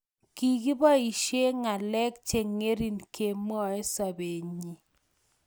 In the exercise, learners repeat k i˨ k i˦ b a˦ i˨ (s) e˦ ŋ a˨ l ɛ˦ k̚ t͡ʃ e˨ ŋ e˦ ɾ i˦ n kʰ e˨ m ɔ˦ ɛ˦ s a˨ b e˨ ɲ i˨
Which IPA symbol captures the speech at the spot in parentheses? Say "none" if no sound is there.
ʃ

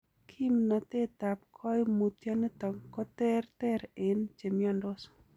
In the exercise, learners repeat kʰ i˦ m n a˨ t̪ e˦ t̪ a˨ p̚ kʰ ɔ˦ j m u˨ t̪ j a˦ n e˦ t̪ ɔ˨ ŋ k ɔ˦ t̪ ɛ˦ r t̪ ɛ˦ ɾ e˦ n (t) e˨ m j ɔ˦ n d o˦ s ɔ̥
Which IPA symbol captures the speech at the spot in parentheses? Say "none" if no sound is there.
t͡ʃ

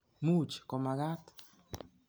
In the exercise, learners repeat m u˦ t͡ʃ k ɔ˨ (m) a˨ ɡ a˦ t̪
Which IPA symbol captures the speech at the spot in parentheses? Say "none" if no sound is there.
m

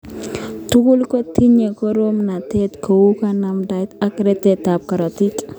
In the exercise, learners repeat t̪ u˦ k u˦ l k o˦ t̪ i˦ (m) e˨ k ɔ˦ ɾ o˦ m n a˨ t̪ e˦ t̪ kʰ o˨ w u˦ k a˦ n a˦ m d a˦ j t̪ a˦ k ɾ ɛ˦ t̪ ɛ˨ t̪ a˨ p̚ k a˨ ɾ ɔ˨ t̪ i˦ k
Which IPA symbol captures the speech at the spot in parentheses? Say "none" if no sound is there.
ɲ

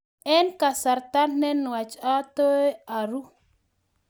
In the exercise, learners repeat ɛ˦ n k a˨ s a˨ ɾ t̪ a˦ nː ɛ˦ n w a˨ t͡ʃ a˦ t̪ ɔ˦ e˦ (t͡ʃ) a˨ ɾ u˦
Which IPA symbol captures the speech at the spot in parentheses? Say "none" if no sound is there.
none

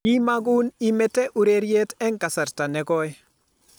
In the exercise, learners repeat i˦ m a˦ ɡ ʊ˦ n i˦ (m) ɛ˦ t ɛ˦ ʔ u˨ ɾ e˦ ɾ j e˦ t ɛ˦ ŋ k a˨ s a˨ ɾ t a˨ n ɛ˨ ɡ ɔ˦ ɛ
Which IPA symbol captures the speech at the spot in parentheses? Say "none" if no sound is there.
m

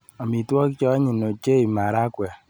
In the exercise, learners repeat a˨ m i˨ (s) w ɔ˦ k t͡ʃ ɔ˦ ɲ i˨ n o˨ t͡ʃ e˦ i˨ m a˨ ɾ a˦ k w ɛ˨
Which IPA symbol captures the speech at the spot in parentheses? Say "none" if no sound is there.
t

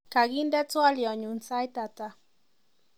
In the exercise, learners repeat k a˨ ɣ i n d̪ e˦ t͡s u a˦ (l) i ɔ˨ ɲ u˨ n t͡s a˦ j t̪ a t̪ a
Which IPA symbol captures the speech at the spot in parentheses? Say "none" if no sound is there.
l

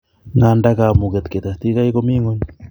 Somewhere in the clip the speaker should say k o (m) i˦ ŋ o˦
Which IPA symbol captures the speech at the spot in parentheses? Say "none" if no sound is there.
m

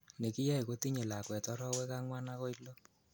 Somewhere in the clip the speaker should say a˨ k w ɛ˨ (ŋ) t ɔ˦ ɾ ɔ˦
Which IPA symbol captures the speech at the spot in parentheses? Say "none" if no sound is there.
none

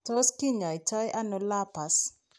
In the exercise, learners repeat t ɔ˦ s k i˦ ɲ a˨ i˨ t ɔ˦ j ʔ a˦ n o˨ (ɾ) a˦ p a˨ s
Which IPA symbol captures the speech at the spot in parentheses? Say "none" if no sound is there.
l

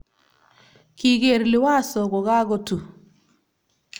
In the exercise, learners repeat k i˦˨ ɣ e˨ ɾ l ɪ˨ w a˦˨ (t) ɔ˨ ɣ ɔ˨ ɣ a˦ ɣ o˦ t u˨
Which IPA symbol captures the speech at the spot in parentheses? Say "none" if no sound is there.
s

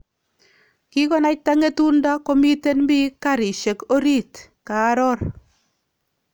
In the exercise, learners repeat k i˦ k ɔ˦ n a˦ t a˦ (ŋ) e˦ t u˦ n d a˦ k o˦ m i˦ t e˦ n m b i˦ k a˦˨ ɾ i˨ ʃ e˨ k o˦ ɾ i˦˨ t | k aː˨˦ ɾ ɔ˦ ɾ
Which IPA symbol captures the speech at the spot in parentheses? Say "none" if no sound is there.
ŋ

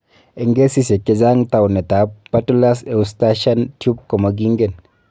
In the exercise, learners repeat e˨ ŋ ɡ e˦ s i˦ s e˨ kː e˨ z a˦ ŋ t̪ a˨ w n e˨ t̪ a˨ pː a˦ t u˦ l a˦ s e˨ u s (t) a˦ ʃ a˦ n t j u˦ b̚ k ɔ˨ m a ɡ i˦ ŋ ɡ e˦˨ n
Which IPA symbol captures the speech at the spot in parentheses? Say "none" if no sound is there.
t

